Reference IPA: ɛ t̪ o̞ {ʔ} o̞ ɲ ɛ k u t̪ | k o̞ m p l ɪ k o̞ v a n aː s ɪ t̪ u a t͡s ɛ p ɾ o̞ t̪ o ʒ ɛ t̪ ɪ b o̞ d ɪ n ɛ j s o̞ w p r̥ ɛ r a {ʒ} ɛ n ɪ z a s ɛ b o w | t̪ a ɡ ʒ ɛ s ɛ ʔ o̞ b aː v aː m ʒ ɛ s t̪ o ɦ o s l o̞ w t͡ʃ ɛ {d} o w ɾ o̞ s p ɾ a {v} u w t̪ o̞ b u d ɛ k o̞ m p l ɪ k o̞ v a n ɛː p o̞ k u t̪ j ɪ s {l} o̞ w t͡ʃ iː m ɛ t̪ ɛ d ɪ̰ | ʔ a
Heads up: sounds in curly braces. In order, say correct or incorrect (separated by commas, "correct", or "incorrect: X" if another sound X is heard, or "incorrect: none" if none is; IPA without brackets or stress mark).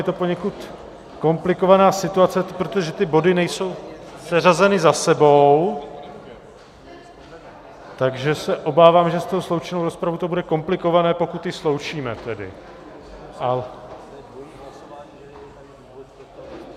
incorrect: p, incorrect: z, incorrect: n, correct, correct